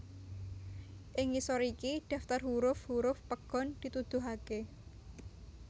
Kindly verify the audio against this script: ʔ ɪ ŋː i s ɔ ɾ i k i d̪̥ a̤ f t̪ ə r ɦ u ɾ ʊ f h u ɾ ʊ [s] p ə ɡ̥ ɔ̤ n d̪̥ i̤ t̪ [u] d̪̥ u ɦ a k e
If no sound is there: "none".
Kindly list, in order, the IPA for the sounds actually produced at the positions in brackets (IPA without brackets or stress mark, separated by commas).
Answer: f, u